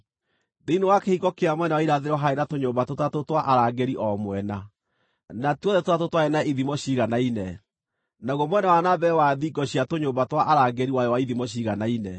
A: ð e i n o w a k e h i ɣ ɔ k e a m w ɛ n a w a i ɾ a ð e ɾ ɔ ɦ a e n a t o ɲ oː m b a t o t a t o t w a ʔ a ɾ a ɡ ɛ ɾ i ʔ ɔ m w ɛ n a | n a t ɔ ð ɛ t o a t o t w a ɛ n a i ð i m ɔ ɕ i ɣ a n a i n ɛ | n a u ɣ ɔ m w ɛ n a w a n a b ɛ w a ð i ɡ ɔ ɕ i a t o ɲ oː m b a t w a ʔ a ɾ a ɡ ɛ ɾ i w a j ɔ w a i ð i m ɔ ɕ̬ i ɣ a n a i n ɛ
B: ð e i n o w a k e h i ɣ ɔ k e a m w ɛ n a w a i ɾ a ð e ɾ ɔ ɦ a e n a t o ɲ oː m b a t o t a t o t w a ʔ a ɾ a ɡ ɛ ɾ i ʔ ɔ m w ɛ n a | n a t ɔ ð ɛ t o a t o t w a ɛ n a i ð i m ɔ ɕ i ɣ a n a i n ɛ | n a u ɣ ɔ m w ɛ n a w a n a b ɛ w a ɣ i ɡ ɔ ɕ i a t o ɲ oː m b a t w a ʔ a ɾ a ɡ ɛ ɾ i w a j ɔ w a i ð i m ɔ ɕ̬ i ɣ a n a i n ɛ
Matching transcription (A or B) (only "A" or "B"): A